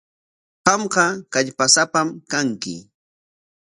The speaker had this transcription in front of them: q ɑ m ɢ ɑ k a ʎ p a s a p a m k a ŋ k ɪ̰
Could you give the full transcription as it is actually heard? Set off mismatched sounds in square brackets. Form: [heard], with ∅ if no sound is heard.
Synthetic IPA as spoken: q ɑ m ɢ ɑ k a ʎ p a s a p a m k a ŋ k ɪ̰

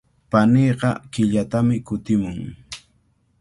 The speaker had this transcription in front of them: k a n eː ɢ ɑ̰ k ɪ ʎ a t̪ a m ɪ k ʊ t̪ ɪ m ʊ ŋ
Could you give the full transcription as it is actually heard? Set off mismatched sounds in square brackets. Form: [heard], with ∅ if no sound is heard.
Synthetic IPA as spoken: [p] a n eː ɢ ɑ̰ k ɪ ʎ a t̪ a m ɪ k ʊ t̪ ɪ m ʊ ŋ

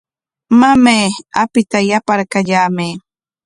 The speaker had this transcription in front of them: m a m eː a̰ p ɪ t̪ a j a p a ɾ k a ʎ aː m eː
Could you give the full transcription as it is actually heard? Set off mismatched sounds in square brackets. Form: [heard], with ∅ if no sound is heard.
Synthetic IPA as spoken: m a m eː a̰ p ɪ t̪ a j a p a ɾ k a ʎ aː m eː

